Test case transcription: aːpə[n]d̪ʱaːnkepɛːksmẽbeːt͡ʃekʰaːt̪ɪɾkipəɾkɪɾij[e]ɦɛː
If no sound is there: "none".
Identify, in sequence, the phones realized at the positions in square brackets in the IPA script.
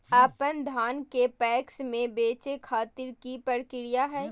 n, a

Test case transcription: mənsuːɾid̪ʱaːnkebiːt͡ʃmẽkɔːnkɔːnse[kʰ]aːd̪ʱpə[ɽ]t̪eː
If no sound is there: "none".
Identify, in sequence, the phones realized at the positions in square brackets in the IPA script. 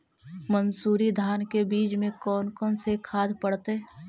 kʰ, ɽ

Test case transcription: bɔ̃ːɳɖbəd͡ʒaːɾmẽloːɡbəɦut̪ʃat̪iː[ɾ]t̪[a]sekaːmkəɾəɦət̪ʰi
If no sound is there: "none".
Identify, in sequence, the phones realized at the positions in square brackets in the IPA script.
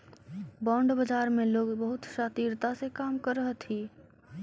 ɾ, a

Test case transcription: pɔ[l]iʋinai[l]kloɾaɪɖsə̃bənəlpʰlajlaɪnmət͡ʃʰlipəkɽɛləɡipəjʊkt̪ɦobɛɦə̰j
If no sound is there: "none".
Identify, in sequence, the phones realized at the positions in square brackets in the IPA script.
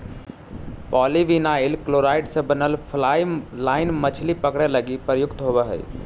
l, l

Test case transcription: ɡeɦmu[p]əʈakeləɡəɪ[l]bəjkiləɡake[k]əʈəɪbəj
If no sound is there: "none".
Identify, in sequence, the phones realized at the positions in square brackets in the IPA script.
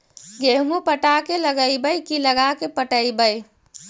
p, none, p

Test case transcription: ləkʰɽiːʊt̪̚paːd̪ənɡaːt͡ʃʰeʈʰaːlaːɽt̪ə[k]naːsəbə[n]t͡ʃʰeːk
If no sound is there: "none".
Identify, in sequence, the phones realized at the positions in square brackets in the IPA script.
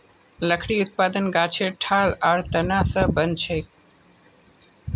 none, n

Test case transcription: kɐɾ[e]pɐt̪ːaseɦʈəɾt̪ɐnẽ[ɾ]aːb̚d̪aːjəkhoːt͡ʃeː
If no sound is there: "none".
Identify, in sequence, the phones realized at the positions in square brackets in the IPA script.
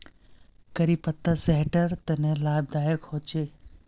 i, l

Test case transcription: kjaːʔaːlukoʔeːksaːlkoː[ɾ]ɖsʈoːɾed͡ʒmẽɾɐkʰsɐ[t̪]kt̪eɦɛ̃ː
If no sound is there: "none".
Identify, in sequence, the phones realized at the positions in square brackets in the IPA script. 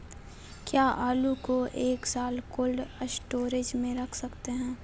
l, none

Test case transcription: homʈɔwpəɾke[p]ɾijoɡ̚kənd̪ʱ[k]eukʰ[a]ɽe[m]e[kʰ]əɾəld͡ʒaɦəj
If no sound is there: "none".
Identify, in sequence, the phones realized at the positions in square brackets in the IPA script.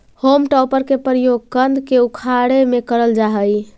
p, k, a, m, k

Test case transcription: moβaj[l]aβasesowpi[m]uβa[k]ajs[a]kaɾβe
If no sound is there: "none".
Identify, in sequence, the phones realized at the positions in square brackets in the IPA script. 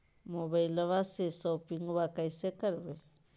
l, ŋ, k, e

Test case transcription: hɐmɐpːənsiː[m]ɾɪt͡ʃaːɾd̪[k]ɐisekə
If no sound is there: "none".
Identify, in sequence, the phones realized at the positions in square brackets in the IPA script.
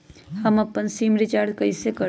m, k

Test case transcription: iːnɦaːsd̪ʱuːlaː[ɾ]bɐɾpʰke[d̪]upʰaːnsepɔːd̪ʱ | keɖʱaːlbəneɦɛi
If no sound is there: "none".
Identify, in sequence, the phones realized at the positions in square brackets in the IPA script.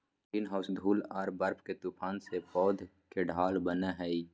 ɾ, t̪

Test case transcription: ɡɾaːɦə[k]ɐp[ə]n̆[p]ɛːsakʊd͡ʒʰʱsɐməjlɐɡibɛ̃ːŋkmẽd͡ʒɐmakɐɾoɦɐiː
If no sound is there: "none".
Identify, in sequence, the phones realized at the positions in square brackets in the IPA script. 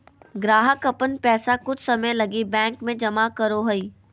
k, ə, p

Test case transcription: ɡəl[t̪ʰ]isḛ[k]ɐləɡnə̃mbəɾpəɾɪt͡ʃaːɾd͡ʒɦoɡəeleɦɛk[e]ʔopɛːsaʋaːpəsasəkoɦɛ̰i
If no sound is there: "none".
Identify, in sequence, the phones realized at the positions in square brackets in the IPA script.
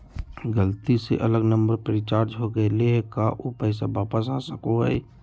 t̪, ʔ, a

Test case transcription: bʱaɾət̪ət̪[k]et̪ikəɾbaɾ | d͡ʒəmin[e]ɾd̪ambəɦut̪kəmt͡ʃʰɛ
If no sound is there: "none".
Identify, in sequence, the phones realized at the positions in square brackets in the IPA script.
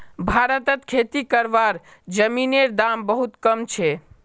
kʰ, e

